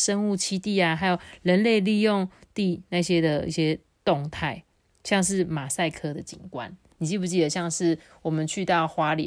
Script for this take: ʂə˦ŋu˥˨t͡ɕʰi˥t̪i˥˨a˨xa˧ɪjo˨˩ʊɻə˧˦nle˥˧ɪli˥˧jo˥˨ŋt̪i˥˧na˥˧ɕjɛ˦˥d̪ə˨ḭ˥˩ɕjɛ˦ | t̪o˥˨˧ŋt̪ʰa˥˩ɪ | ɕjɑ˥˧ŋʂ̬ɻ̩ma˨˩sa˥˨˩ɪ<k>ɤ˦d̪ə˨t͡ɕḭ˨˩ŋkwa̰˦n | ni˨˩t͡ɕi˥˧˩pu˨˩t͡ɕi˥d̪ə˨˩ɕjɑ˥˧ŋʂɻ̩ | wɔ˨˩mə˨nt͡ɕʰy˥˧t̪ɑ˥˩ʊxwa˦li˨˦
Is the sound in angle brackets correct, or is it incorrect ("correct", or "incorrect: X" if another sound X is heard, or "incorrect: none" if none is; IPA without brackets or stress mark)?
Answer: incorrect: kʰ